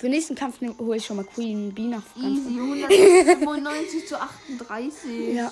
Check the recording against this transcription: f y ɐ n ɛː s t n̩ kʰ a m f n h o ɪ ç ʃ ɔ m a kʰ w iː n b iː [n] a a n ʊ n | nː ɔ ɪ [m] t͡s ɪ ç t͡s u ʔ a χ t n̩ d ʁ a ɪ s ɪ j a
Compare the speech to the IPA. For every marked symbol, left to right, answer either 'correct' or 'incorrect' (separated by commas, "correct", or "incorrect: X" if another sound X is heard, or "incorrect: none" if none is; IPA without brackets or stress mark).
correct, incorrect: n